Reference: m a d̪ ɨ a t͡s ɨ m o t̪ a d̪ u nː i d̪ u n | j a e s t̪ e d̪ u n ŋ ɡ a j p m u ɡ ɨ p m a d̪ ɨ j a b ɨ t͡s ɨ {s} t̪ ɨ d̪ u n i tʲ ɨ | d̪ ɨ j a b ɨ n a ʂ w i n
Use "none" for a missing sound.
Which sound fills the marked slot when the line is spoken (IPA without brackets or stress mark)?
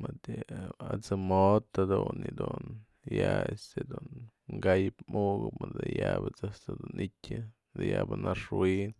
s